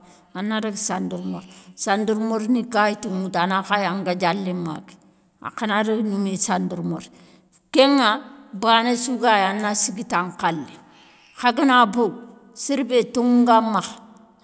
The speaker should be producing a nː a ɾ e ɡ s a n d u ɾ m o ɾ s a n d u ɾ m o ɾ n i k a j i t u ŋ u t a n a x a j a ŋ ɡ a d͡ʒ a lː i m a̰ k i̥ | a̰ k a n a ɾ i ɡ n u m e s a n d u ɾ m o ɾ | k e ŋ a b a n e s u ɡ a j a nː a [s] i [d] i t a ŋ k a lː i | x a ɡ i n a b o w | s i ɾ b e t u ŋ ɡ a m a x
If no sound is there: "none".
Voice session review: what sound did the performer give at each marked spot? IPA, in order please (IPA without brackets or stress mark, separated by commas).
s, ɡ